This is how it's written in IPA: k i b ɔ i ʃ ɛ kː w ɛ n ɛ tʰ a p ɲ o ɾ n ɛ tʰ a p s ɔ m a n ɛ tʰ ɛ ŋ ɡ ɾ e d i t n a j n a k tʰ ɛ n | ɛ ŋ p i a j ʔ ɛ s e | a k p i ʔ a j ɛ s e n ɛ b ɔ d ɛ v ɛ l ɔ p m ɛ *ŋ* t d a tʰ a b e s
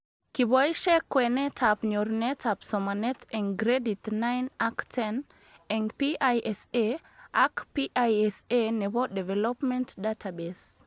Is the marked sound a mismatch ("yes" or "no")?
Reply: yes